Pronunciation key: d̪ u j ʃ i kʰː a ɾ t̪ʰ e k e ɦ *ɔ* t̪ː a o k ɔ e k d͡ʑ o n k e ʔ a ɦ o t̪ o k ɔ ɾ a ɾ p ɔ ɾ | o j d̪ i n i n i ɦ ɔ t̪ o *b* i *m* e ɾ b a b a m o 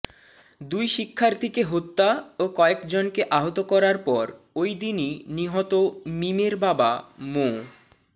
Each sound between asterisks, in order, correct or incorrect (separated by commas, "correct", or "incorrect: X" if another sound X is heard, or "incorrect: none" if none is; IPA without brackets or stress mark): incorrect: o, incorrect: m, correct